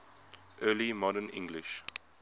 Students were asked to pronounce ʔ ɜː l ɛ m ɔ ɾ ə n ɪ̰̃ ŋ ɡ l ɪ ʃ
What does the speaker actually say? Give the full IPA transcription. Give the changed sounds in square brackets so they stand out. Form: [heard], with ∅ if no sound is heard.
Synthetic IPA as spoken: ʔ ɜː l [i] m ɔ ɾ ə n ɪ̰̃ ŋ ɡ l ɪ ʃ